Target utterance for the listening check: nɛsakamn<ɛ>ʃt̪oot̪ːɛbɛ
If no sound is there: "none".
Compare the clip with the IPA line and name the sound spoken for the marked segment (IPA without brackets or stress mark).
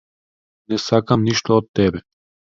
i